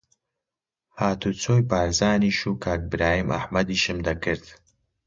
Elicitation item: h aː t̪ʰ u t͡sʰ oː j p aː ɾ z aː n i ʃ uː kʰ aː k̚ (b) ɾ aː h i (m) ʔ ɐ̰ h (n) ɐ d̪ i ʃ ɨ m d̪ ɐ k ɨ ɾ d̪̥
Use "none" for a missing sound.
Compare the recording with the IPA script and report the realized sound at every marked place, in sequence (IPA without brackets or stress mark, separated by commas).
b, m, m